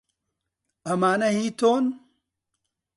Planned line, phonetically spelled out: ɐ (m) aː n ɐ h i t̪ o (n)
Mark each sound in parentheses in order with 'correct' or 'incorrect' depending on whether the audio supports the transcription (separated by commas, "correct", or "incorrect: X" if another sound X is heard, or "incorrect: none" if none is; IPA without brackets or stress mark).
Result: correct, correct